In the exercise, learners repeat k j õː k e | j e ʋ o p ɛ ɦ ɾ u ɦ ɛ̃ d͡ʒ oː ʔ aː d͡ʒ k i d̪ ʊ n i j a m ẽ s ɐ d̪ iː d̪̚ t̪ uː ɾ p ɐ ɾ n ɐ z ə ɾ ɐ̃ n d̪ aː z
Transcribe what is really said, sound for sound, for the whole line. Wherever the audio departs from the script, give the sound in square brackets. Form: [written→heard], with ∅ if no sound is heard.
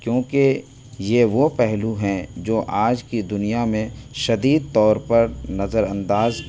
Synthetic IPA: k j õː k e | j e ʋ o p ɛ ɦ [ɾ→l] u ɦ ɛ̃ d͡ʒ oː ʔ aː d͡ʒ k i d̪ ʊ n i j a m ẽ [s→ʃ] ɐ d̪ iː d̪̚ t̪ [uː→ɔː] ɾ p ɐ ɾ n ɐ z ə ɾ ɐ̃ n d̪ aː z